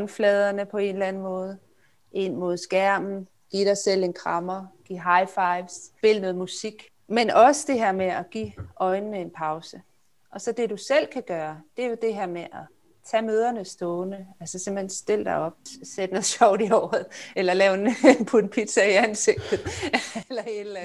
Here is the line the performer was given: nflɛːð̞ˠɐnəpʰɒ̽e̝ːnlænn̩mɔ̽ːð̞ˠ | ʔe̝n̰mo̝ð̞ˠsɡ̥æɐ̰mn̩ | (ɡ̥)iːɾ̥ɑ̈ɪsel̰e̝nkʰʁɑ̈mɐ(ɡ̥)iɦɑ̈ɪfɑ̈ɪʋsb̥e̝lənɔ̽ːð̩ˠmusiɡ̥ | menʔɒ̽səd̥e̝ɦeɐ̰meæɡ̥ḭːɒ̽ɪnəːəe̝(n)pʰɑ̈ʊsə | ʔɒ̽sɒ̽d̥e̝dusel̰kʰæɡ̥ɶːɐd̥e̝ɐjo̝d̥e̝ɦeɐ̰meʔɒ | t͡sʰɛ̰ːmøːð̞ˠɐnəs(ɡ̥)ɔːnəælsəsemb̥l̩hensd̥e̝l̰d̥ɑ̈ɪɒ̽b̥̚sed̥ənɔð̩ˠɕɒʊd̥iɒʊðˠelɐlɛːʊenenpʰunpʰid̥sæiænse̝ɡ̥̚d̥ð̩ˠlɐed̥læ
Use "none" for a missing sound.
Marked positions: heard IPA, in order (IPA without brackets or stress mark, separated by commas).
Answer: ɡ̥, ɡ̥, n, d̥